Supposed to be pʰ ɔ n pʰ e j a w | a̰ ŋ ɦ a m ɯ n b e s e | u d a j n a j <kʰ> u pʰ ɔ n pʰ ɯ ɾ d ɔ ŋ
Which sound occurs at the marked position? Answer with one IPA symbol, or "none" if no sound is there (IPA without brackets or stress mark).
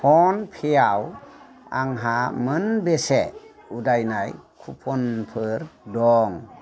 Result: kʰ